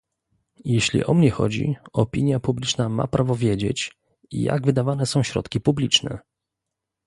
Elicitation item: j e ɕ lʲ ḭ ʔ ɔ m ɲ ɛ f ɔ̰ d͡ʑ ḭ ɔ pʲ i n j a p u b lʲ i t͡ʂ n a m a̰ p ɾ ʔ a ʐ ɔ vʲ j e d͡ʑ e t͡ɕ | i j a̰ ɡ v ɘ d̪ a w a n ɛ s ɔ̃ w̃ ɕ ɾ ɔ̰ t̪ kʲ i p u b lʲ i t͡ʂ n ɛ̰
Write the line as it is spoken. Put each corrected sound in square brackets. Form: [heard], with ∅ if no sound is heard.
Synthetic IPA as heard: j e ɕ lʲ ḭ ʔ ɔ m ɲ ɛ [x] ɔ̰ d͡ʑ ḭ ɔ pʲ i [ɲ] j a p u b lʲ i t͡ʂ n a m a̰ p ɾ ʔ a [v] ɔ vʲ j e d͡ʑ e t͡ɕ | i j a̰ ɡ v ɘ d̪ a [v] a n ɛ s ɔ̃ w̃ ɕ ɾ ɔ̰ t̪ kʲ i p u b lʲ i t͡ʂ n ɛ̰